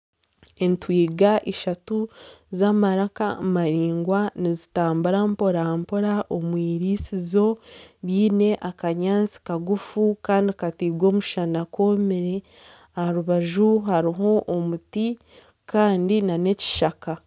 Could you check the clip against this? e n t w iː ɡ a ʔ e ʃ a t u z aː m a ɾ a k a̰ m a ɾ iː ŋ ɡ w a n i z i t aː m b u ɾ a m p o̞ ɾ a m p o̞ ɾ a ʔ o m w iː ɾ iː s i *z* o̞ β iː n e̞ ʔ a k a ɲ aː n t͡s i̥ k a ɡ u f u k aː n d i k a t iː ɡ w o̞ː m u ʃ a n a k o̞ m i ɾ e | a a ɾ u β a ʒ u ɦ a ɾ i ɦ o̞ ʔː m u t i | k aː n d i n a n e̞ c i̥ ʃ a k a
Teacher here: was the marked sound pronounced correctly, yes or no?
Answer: yes